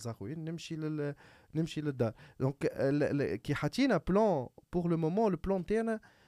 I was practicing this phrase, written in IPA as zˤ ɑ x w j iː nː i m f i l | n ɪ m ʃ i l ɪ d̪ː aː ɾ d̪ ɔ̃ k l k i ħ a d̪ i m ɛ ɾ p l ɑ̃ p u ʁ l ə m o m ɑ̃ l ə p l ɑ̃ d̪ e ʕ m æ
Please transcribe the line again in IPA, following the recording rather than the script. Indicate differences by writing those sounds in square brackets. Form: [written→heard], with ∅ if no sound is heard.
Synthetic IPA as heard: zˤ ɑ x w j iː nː [i→ɪ] m [f→ʃ] i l | n ɪ m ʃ i l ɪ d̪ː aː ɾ d̪ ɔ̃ k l k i ħ a [d̪→t̪] i [m→n] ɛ [ɾ→∅] p l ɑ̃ p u ʁ l ə m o m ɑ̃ l ə p l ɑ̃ [d̪→t̪] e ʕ [m→n] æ